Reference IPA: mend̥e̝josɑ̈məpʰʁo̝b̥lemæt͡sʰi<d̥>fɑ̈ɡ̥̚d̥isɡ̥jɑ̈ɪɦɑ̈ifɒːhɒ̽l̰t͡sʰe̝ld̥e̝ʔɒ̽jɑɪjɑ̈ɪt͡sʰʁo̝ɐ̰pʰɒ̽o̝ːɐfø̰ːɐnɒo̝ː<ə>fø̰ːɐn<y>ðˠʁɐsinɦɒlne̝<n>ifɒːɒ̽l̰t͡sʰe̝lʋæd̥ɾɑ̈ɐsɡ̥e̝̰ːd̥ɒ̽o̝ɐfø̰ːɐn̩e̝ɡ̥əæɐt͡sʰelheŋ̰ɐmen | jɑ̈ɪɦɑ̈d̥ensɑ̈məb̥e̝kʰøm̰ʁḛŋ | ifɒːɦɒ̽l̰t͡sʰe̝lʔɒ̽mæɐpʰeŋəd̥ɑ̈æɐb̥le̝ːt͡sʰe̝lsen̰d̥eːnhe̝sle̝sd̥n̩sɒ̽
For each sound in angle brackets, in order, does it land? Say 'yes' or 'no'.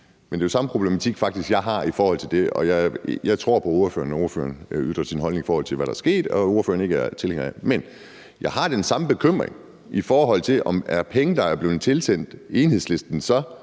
no, no, yes, no

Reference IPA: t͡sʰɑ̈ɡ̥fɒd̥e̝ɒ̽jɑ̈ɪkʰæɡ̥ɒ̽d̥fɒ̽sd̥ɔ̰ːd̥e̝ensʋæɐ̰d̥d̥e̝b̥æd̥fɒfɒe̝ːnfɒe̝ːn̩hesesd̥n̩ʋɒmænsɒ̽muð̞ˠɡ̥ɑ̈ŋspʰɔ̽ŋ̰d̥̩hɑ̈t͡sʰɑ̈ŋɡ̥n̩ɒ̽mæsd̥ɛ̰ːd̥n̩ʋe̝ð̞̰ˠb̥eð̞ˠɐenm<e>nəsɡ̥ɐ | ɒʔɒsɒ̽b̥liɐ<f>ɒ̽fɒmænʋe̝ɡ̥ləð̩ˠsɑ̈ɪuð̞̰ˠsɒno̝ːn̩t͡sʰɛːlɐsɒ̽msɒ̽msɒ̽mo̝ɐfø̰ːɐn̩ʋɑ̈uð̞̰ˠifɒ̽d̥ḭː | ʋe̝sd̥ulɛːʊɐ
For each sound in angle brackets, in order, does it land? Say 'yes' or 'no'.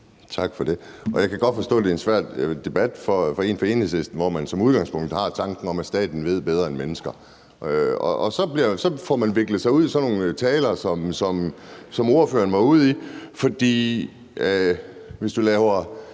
yes, no

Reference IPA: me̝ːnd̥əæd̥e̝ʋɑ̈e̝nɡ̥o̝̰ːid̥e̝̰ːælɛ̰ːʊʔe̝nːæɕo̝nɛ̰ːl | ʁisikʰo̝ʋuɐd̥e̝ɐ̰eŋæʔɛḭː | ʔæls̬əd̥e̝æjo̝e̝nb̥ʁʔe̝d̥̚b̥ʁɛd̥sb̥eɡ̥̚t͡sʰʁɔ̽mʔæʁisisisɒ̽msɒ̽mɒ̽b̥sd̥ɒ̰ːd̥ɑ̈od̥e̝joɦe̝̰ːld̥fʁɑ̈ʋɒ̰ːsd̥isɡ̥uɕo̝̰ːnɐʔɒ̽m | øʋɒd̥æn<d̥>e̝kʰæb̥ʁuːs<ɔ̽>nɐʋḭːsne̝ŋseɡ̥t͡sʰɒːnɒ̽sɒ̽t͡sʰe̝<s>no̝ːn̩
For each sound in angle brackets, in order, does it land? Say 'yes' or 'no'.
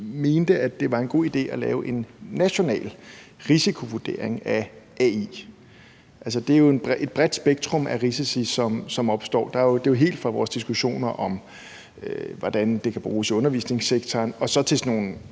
yes, yes, yes

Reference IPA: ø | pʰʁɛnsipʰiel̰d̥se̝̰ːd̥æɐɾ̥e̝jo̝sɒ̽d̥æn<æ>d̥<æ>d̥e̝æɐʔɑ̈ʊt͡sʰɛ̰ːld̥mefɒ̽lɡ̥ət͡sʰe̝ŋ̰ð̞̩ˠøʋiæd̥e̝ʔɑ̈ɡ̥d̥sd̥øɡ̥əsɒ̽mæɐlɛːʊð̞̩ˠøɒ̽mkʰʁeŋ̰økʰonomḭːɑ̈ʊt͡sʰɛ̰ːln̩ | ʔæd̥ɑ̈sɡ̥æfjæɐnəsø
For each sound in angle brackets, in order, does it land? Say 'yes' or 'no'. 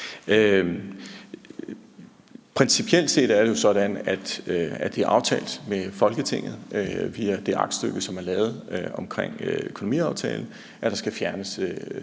yes, yes

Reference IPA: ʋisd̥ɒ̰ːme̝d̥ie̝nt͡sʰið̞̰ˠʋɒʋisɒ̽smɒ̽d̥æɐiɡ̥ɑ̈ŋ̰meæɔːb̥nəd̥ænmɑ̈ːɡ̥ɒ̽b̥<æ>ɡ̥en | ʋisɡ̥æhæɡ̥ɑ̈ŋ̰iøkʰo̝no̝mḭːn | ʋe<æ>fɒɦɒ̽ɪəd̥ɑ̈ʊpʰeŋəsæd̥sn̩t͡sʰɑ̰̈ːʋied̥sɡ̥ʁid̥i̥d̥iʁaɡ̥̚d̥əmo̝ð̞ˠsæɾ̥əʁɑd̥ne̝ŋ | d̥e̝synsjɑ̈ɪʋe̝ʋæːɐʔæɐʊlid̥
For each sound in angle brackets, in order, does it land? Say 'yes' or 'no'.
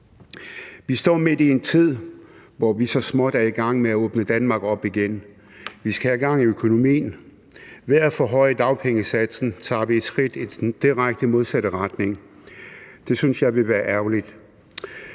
no, yes

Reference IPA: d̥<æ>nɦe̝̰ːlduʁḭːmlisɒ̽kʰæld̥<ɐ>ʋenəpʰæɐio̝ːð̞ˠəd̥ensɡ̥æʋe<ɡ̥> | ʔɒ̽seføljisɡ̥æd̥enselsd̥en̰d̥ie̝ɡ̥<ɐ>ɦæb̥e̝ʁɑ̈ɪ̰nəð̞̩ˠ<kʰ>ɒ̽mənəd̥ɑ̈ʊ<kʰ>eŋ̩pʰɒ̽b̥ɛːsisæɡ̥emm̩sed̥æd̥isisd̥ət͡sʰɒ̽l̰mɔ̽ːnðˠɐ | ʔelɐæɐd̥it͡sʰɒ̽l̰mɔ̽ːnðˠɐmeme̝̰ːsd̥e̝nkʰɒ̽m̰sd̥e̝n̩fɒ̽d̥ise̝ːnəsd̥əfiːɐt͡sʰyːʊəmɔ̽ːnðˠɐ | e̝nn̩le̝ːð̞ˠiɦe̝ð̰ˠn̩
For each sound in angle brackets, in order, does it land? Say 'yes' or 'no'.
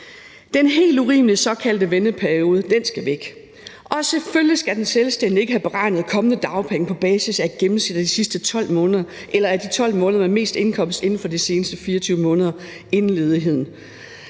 no, no, yes, no, yes, no

